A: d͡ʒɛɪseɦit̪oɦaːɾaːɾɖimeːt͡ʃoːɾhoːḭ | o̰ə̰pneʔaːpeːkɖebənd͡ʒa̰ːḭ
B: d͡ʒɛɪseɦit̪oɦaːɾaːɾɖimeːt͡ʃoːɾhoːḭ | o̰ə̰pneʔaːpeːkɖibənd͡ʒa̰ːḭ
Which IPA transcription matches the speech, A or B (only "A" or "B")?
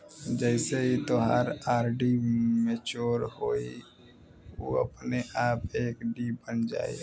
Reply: B